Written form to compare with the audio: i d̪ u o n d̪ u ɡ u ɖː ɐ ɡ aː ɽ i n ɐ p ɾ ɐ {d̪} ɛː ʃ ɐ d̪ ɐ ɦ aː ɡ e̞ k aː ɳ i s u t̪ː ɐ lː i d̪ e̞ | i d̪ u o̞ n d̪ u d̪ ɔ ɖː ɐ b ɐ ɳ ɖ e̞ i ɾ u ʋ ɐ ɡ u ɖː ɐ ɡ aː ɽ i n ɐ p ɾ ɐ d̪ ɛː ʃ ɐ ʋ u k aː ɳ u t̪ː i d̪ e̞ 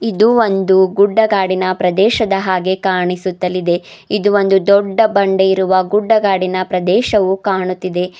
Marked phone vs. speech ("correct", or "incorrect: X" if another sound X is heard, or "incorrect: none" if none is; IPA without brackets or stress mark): correct